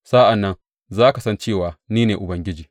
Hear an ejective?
no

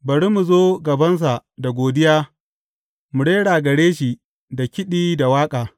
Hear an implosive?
yes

